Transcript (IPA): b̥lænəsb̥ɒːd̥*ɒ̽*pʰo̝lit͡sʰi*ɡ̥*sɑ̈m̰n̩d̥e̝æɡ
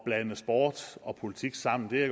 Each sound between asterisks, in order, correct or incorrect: correct, correct

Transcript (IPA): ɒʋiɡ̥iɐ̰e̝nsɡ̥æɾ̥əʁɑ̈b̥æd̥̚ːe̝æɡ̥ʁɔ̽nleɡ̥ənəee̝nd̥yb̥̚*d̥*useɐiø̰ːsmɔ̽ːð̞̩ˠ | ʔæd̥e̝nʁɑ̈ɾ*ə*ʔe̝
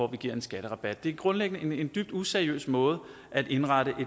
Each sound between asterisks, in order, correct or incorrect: correct, correct

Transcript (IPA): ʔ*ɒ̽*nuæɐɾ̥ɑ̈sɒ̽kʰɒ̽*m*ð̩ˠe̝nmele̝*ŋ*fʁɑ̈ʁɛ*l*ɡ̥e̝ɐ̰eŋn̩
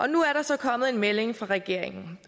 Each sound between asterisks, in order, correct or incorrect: correct, correct, correct, incorrect

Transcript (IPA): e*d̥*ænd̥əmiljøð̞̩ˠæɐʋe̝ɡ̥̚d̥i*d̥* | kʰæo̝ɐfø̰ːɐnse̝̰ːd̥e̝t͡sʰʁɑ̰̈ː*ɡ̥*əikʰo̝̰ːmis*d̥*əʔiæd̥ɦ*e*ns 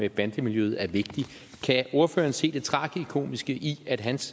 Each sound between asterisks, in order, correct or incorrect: incorrect, incorrect, correct, incorrect, incorrect

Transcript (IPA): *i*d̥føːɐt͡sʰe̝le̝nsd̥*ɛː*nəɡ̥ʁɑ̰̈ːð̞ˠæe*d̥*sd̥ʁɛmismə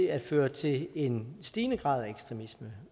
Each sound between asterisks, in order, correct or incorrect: incorrect, incorrect, incorrect

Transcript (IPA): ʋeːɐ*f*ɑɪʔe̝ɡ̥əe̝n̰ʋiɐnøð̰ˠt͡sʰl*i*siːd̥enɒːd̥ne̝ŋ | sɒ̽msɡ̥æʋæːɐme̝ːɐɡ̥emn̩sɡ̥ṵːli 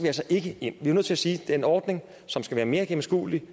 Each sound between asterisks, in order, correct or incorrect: incorrect, incorrect

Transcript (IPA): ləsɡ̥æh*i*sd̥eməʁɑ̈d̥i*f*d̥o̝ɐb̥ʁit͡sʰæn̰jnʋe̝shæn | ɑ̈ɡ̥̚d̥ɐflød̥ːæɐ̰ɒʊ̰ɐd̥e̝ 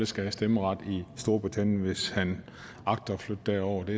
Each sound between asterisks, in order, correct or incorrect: incorrect, incorrect

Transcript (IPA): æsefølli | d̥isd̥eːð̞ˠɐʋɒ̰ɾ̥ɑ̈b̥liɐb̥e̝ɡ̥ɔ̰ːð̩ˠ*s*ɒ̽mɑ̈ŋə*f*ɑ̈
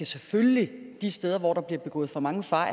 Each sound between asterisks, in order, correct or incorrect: incorrect, correct

